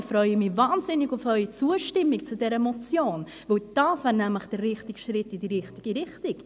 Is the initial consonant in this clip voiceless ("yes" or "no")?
yes